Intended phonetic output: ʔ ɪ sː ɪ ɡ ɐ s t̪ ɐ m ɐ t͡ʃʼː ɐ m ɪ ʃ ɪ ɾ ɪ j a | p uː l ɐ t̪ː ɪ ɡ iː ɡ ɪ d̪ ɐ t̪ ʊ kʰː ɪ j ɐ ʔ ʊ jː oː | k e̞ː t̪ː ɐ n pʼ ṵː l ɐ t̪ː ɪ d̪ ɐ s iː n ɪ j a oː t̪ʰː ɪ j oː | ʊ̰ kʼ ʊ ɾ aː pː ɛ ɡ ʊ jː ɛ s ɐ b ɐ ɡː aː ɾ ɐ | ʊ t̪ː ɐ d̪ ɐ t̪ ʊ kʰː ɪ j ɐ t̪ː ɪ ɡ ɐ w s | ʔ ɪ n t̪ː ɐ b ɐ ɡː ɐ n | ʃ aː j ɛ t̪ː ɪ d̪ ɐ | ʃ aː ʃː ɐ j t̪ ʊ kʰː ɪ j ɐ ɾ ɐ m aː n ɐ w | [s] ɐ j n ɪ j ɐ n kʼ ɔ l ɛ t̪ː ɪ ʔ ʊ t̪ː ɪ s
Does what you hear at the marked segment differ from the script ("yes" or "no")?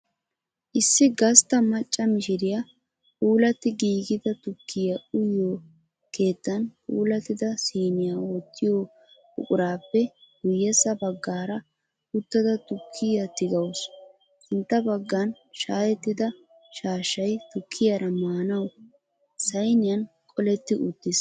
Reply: no